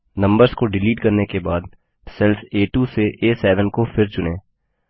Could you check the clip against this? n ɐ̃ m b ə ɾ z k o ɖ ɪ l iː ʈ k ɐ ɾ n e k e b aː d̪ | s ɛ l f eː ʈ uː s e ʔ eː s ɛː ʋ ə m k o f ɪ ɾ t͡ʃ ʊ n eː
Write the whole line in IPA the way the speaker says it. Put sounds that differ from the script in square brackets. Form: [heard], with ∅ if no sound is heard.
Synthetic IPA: n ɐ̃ m b ə ɾ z k o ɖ ɪ l iː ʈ k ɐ ɾ n e k e b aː d̪ | s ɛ l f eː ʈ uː s e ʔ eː s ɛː ʋ ə [n] k o f ɪ ɾ t͡ʃ ʊ n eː